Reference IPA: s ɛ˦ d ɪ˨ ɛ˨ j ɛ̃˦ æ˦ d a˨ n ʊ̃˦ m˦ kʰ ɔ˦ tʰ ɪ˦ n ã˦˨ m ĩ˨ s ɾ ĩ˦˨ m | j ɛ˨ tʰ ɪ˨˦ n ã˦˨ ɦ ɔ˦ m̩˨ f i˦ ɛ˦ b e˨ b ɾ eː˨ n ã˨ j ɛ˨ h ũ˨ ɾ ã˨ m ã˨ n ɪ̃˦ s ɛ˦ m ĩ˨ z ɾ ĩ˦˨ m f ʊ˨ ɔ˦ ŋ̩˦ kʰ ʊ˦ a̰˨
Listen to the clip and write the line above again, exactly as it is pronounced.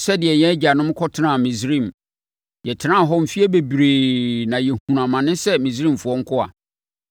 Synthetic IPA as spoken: s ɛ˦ d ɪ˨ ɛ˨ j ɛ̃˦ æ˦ d͡ʑ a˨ n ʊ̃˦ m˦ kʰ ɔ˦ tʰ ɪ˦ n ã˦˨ m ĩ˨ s ɾ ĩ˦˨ m | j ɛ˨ tʰ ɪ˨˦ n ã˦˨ ɦ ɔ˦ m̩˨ f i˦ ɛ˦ b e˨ b ɾ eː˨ n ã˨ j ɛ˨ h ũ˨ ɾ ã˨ m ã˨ n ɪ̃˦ s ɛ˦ m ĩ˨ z ɾ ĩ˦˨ m f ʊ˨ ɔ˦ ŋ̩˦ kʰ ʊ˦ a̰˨